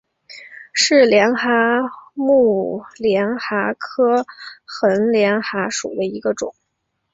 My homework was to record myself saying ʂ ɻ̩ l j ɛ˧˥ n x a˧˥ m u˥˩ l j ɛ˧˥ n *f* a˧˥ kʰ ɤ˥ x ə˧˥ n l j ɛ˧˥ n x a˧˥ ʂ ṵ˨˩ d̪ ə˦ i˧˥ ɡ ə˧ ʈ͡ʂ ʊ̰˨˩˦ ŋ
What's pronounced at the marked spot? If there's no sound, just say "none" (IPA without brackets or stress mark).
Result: x